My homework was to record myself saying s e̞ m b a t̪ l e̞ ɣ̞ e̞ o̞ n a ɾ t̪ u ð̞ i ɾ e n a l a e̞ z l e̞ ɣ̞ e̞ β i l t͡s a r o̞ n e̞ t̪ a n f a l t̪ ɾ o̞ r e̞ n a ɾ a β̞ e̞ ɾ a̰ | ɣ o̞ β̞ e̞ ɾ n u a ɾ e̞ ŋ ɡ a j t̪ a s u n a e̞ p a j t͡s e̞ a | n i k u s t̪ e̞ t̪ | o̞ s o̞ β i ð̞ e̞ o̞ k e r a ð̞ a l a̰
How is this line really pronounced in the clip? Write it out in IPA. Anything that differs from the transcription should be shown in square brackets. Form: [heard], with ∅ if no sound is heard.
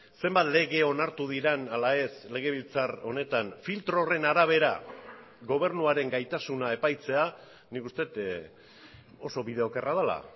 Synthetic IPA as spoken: s e̞ m b a t̪ l e̞ ɣ̞ e̞ o̞ n a ɾ t̪ u ð̞ i ɾ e n a l a e̞ [s] l e̞ ɣ̞ e̞ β i l t͡s a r o̞ n e̞ t̪ a n f [i] l t̪ ɾ o̞ r e̞ n a ɾ a β̞ e̞ ɾ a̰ | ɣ o̞ β̞ e̞ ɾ n u a ɾ e̞ ŋ ɡ a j t̪ a s u n a e̞ p a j t͡s e̞ a | n i k u s t̪ e̞ t̪ | o̞ s o̞ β i ð̞ e̞ o̞ k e r a ð̞ a l a̰